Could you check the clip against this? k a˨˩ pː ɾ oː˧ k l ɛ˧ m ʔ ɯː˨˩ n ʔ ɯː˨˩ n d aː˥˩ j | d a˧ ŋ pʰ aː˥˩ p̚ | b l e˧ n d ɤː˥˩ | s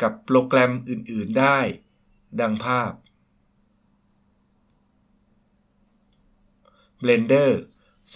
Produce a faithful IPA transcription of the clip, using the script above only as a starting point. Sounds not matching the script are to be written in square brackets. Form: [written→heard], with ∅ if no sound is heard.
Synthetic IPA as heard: k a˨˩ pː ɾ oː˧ k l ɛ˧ m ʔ ɯː˨˩ n ʔ ɯː˨˩ n d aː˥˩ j | d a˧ ŋ pʰ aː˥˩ p̚ | b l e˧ n d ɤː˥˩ | s